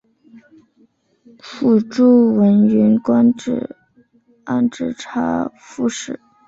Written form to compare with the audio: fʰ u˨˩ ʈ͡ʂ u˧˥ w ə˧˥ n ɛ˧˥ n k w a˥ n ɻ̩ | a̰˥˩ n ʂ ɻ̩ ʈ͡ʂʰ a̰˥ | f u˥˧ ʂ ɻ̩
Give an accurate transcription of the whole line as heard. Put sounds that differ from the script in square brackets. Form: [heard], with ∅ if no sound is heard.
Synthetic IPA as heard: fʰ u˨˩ ʈ͡ʂ [u˥˩] w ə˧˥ n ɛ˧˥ n k w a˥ n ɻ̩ | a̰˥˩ n [ʈ͡ʂ] ɻ̩ ʈ͡ʂʰ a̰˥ | f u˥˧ ʂ ɻ̩